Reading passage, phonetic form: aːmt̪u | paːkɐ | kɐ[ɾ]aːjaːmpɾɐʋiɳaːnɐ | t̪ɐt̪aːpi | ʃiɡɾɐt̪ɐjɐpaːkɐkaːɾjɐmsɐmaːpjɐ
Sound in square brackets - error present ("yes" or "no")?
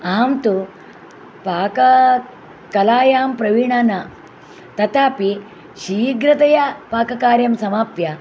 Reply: yes